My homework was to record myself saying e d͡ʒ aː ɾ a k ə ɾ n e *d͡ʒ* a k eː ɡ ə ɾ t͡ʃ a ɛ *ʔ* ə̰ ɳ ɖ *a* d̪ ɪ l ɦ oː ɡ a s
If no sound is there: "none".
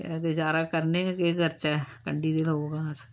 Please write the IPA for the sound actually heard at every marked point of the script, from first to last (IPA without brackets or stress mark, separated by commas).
none, k, i